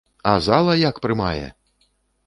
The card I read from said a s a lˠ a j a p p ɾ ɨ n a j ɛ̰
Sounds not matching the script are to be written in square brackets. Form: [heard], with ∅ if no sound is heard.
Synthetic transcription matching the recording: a [z] a lˠ [ɐ] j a [k] p ɾ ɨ [m] a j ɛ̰